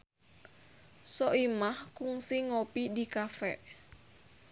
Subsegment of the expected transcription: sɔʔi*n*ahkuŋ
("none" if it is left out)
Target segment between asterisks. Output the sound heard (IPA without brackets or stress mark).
m